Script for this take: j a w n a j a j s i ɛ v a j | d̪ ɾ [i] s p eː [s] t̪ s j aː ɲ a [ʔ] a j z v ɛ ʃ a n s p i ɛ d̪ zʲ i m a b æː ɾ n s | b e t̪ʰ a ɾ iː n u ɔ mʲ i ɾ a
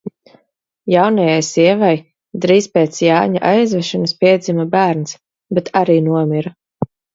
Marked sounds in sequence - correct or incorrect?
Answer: incorrect: iː, incorrect: none, correct

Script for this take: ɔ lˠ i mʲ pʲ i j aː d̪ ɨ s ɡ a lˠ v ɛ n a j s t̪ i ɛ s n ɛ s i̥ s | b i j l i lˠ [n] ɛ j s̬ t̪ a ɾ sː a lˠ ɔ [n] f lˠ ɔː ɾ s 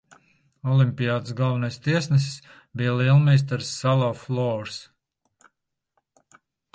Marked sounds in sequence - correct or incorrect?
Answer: incorrect: m, incorrect: none

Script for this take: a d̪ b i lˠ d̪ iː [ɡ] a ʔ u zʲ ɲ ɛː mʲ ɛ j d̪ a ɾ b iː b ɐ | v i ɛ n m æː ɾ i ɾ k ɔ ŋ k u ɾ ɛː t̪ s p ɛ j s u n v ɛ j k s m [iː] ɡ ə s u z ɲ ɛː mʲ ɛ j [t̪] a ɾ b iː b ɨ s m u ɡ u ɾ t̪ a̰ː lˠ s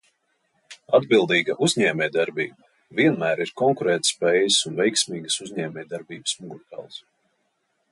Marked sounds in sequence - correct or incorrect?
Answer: correct, correct, incorrect: d̪

